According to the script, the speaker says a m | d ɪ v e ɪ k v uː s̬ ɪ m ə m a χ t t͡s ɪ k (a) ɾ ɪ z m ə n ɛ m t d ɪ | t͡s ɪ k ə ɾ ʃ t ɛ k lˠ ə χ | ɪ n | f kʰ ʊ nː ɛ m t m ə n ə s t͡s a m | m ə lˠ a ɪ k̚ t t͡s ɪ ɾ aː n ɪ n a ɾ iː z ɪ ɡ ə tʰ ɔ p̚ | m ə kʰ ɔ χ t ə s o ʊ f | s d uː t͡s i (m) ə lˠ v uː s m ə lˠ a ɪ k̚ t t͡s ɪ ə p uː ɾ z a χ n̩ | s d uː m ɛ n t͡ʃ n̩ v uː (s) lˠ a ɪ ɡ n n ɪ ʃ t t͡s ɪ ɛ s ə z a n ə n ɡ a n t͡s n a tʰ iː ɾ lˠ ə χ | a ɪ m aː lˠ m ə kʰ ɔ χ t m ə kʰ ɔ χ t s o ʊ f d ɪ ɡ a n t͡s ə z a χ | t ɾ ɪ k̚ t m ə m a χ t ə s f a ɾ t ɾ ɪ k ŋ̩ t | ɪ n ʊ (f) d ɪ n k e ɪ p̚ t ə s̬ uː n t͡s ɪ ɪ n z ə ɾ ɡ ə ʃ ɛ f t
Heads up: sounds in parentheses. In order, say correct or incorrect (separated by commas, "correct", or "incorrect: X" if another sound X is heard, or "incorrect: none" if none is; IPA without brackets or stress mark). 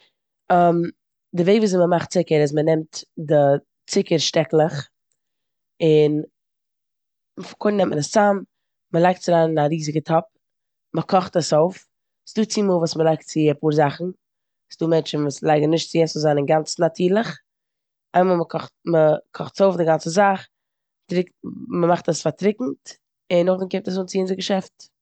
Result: incorrect: ə, correct, correct, incorrect: χ